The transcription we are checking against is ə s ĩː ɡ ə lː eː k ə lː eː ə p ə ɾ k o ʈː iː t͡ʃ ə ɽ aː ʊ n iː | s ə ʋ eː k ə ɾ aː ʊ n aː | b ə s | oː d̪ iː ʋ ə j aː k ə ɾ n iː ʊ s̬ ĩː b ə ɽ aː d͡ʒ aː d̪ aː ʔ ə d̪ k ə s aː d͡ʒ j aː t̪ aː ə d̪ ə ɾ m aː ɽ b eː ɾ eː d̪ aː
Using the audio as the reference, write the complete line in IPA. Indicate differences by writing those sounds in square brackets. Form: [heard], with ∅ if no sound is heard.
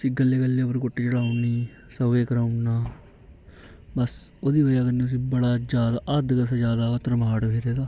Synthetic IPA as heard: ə s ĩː ɡ ə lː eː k ə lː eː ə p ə ɾ k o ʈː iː t͡ʃ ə ɽ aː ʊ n iː | s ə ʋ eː k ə ɾ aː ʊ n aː | b ə s | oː d̪ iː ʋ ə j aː k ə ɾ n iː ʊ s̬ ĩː b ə ɽ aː d͡ʒ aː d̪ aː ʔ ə d̪ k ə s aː d͡ʒ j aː [d̪] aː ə [t̪] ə ɾ m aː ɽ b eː ɾ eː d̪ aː